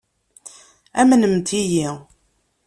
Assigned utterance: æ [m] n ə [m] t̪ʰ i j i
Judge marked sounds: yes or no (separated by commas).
yes, yes